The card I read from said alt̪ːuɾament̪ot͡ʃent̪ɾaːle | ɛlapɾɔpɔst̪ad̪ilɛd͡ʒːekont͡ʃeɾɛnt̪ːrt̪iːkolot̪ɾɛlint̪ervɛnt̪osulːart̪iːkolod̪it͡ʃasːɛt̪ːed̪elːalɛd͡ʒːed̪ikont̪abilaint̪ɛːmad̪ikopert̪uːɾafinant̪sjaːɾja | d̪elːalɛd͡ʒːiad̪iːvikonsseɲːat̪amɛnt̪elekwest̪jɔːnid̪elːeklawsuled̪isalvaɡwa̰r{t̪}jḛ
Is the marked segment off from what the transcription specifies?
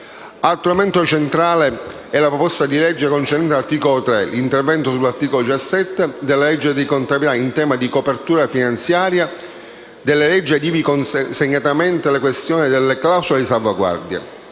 yes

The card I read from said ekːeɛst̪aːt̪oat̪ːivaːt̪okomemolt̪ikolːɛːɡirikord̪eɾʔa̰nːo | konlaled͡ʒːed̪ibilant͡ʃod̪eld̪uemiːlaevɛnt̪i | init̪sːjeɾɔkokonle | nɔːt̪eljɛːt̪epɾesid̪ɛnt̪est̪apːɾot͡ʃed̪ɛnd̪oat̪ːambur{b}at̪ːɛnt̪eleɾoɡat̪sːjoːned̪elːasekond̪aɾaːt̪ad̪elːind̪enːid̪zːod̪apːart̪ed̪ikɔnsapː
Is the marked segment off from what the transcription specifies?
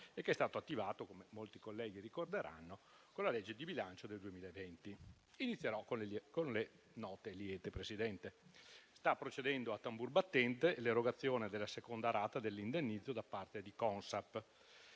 no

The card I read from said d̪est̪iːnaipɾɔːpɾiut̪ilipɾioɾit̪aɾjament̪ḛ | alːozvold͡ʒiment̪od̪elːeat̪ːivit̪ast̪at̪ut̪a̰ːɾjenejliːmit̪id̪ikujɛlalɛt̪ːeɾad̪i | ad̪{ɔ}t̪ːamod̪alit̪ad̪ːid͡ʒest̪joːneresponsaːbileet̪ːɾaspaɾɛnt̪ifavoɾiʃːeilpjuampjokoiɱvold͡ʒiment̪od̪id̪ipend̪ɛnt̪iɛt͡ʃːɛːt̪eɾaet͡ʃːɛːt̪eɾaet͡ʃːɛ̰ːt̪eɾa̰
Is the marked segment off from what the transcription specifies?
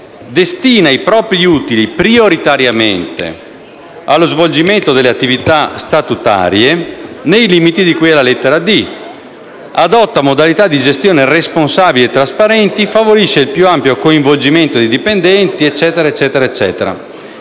no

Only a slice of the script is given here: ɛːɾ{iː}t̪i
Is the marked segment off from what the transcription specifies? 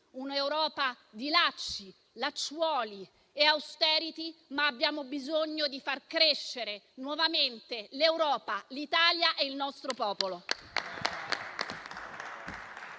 yes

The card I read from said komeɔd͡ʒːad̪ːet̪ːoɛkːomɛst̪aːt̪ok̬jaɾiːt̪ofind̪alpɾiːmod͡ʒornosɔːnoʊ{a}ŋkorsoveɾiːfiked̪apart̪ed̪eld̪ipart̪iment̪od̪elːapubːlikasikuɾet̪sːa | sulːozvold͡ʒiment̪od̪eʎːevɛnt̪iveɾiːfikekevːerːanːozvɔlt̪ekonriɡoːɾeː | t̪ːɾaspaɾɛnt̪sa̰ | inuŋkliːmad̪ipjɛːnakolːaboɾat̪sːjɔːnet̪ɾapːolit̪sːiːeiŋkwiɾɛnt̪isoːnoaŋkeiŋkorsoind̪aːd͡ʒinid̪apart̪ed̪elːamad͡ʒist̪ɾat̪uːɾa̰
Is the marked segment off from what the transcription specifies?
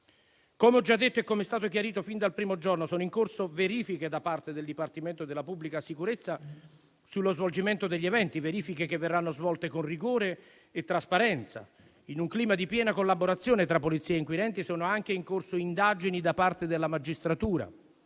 yes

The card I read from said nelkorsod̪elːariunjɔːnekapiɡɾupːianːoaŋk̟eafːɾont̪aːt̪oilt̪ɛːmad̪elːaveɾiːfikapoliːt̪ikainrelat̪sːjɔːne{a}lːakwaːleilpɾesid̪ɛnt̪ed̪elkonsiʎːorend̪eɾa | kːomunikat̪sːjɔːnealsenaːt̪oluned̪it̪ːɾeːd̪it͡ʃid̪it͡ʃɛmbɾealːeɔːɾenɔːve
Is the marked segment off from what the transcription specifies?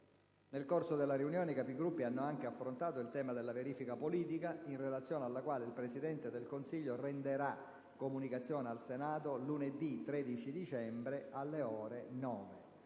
no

